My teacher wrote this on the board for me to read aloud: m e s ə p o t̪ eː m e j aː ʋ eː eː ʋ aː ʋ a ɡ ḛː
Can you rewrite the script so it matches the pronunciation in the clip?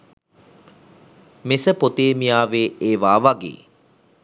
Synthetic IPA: m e s ə p o t̪ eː m i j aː ʋ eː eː ʋ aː ʋ a ɡ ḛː